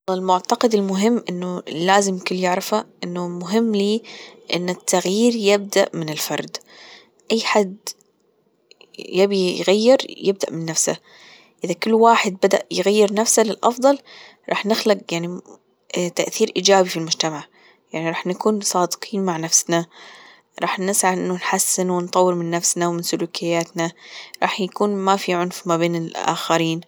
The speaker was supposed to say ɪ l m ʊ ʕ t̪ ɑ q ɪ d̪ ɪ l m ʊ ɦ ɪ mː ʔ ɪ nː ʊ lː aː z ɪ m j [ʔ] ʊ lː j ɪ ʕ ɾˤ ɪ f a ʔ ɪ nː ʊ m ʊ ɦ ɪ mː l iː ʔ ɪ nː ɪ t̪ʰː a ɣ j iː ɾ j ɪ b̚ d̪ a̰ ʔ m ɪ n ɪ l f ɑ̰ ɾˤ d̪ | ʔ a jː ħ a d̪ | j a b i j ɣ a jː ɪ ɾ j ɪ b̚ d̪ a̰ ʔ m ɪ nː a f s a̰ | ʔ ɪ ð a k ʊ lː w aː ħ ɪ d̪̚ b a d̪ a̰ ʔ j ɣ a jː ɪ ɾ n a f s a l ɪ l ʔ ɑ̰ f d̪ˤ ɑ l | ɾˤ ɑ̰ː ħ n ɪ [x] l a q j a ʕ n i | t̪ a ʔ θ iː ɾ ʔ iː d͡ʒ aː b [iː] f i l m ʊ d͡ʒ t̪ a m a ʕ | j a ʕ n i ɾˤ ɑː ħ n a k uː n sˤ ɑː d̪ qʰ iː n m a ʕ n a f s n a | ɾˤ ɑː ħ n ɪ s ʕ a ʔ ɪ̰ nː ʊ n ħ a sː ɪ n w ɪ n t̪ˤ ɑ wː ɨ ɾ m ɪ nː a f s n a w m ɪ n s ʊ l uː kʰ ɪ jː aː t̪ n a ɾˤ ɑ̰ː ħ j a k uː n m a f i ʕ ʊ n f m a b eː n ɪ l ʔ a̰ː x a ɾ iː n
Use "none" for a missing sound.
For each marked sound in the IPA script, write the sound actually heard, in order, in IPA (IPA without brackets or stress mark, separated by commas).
k, x, i